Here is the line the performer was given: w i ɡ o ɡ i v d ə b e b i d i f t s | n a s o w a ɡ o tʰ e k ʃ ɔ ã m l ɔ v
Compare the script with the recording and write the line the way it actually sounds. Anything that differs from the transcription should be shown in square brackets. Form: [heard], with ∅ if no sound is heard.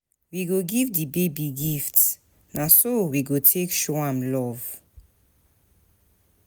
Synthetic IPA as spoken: w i ɡ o ɡ i v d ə b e b i [ɡ] i f t s | n a s o w [i] ɡ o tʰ e k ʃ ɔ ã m l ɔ v